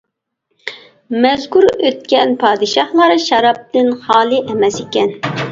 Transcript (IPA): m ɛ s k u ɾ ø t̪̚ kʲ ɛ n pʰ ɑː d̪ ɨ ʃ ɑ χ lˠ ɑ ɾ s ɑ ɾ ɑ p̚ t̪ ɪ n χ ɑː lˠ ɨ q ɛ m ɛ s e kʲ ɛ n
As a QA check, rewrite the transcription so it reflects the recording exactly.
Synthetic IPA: m ɛ z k u ɾ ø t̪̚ kʲ ɛ n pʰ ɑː d̪ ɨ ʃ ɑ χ lˠ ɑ ɾ ʃ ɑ ɾ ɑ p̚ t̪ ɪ n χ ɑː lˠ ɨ ʔ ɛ m ɛ s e kʲ ɛ n